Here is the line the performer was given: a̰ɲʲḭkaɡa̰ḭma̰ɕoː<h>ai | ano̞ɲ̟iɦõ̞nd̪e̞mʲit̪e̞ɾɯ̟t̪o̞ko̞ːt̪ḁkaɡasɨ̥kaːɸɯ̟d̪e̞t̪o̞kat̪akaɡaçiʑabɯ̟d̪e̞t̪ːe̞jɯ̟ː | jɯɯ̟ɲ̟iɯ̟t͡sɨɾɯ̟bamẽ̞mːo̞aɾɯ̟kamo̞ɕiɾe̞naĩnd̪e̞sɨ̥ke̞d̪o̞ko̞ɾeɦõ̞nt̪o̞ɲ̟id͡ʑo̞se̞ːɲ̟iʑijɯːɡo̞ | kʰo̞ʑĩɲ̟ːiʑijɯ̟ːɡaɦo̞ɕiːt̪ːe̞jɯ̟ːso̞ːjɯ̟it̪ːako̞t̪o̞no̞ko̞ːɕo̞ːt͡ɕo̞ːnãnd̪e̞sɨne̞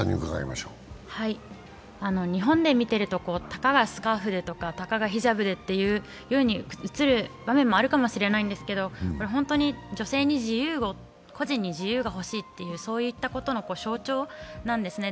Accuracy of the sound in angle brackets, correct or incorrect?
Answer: correct